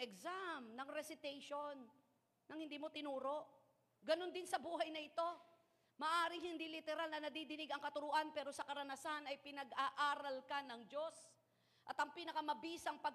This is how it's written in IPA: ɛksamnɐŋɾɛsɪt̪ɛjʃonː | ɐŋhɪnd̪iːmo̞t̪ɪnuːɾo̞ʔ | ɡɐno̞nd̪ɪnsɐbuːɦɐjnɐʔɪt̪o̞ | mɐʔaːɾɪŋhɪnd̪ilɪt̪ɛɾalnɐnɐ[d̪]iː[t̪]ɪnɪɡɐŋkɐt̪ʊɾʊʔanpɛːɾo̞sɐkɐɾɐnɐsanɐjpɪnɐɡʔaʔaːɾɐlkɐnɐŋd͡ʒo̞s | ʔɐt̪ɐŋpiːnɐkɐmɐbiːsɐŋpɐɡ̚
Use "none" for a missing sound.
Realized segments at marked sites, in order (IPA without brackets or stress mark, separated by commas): d̪, d̪